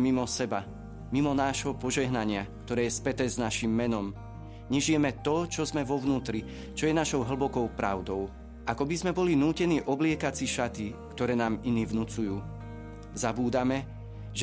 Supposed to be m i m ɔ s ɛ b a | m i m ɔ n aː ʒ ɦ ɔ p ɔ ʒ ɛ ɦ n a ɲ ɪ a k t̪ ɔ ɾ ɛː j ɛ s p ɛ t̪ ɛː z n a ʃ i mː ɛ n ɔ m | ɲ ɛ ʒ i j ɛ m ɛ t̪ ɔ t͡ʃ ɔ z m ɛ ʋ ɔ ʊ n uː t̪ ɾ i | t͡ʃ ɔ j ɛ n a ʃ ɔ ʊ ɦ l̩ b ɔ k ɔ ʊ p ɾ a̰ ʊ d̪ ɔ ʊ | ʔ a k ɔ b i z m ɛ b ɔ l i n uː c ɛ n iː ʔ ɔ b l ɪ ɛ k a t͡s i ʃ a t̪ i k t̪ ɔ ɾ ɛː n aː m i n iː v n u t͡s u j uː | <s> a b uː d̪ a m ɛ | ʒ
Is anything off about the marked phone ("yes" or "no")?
yes